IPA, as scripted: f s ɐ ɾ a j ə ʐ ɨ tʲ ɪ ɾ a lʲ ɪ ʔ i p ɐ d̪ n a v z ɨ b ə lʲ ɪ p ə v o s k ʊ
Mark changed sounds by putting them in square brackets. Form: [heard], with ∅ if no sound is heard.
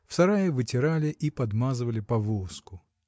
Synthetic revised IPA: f s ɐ ɾ a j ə [v] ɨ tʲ ɪ ɾ a lʲ ɪ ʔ i p ɐ d̪ [m] a [∅] z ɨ [v] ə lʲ ɪ p [ɐ] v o s k ʊ